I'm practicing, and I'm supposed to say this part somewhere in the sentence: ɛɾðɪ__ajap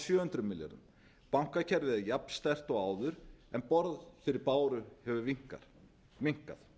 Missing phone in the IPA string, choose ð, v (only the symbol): ð